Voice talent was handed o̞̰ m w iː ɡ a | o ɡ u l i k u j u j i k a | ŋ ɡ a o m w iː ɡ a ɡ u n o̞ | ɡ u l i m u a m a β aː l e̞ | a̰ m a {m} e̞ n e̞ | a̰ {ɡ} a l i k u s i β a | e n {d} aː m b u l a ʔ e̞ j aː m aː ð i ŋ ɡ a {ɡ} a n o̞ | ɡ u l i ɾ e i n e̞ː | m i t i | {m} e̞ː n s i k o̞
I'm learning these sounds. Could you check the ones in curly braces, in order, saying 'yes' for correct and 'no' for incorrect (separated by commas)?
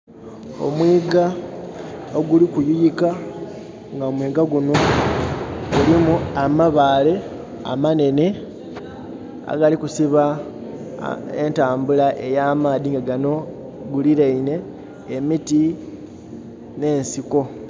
no, yes, no, yes, no